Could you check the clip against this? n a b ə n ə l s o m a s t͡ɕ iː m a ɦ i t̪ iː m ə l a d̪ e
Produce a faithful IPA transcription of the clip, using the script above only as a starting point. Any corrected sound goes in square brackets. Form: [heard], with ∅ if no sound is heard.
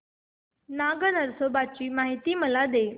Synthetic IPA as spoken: n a [ɡ] ə n ə [ɾ] s o [b] a [∅] t͡ɕ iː m a ɦ i t̪ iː m ə l a d̪ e